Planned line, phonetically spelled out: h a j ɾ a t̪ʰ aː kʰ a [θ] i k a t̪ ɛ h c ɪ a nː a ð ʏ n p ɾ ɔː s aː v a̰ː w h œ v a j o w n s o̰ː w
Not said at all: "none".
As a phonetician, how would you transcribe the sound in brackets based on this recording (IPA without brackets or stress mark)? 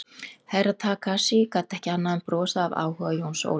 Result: s